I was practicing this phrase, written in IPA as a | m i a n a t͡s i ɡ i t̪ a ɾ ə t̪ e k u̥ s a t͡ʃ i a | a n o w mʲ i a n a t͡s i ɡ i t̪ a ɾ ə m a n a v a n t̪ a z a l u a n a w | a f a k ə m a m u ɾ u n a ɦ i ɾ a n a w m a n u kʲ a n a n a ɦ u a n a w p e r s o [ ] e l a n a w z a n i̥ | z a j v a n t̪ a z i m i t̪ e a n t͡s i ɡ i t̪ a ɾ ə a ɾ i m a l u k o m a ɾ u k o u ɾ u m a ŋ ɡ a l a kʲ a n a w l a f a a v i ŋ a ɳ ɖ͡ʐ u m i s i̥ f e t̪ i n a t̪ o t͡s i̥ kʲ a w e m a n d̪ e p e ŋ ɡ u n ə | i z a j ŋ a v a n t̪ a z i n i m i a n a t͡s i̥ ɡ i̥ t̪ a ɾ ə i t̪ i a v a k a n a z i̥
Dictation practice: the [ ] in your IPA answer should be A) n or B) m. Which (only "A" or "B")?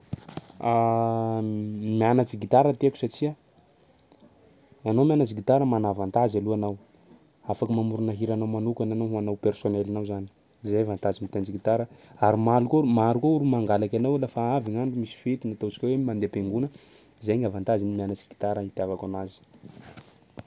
A